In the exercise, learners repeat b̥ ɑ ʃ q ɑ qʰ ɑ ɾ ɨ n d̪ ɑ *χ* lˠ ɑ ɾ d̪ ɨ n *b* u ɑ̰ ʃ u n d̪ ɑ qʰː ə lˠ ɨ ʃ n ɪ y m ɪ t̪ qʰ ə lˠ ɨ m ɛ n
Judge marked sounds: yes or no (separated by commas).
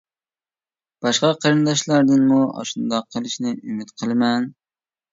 no, no